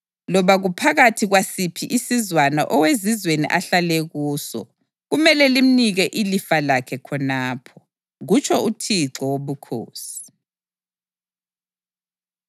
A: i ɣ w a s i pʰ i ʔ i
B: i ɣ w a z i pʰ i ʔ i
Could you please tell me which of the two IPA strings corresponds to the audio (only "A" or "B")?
A